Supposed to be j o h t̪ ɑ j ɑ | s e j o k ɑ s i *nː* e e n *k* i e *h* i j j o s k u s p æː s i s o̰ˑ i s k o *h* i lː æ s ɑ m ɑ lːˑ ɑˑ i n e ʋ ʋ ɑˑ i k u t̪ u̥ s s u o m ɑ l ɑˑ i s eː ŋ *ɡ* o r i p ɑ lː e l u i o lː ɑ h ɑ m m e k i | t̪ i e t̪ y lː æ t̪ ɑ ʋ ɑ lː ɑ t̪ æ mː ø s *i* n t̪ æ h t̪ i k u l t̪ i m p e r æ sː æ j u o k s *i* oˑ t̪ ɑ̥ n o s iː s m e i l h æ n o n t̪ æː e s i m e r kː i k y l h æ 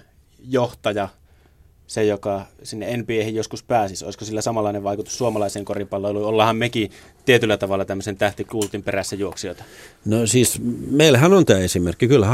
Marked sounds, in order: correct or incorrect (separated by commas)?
correct, incorrect, correct, incorrect, incorrect, incorrect, correct